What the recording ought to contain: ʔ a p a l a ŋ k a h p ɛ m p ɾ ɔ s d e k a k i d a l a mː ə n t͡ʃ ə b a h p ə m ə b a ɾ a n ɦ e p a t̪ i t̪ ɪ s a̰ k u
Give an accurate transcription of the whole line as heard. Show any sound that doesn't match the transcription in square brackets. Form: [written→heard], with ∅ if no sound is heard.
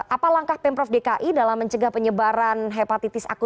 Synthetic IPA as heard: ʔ a p a l a ŋ k a h p ɛ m p ɾ ɔ [s→f] d e k a [k→ʔ] i d a l a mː ə [n→ɲ] t͡ʃ ə [b→ɡ] a h p ə [m→ɲ] ə b a ɾ a n ɦ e p a t̪ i t̪ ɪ s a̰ k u